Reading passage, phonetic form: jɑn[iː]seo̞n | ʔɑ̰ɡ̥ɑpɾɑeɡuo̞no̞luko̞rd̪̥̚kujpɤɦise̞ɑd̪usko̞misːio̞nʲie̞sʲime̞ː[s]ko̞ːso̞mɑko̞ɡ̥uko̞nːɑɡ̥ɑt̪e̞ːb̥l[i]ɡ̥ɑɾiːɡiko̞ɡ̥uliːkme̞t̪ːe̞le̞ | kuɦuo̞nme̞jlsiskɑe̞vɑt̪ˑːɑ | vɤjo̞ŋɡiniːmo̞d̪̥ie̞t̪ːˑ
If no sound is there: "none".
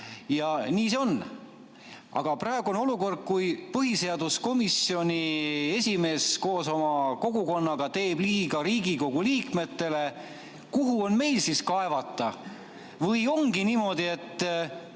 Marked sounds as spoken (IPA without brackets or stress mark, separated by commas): iː, s, iː